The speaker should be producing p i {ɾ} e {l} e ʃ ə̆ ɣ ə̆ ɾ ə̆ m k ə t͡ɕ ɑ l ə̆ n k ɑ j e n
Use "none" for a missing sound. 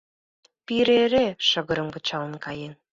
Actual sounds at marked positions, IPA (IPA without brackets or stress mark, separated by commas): ɾ, ɾ